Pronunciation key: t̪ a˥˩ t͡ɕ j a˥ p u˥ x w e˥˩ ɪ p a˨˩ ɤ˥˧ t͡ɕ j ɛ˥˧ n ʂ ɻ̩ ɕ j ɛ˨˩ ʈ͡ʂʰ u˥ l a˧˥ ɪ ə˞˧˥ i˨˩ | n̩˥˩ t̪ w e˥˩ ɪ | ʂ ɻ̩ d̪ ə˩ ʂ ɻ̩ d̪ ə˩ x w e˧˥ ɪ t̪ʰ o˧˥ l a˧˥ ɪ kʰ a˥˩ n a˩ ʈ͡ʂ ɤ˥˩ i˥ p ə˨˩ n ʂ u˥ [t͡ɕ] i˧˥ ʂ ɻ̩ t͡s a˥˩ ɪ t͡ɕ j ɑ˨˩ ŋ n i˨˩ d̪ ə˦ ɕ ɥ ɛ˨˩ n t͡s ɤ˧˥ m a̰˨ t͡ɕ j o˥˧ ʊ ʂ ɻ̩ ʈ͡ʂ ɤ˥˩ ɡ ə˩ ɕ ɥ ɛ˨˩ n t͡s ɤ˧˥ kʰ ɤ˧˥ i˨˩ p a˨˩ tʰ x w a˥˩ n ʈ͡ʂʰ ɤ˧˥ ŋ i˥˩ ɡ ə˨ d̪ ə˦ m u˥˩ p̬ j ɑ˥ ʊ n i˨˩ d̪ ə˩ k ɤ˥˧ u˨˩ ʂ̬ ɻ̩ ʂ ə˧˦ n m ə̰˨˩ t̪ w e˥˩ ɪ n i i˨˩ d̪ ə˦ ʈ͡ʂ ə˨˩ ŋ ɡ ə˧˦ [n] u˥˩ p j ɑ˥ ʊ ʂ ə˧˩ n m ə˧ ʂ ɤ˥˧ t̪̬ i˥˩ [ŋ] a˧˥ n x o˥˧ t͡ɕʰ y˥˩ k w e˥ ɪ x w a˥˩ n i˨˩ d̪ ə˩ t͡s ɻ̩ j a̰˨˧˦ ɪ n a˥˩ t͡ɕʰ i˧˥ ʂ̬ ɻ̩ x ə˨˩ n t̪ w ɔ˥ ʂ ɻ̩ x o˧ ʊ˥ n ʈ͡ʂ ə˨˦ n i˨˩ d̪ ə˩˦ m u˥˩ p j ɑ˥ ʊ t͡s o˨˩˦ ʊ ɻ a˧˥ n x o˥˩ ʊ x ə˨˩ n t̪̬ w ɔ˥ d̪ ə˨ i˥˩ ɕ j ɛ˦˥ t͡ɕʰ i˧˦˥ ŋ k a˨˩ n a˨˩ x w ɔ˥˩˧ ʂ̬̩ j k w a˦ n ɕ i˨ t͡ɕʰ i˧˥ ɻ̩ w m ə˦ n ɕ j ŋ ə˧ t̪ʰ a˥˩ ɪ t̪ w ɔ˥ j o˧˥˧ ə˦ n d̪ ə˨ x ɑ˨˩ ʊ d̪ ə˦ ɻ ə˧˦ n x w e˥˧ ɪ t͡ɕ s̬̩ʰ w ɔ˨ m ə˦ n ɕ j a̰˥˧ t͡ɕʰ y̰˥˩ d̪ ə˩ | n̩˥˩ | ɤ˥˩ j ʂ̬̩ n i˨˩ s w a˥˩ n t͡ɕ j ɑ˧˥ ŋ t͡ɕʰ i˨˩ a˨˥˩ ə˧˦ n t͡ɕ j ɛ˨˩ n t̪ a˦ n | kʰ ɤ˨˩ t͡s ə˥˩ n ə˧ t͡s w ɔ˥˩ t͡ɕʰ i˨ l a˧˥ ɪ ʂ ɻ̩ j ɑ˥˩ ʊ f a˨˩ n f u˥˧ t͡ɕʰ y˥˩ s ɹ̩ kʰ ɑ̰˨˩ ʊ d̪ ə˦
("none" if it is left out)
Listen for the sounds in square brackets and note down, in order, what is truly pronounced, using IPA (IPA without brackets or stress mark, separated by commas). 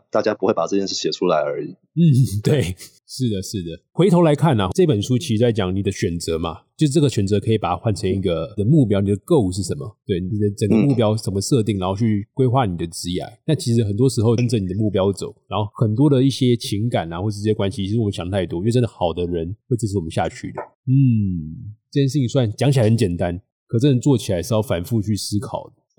t͡ɕʰ, m, ŋ